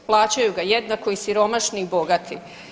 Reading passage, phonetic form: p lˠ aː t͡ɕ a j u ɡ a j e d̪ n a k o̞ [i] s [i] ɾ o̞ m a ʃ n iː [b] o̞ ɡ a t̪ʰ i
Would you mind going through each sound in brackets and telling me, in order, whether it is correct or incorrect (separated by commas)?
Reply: correct, correct, correct